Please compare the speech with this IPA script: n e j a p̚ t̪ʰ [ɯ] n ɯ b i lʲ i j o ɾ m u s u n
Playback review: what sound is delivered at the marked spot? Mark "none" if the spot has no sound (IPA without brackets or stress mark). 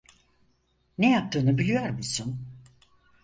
ɯː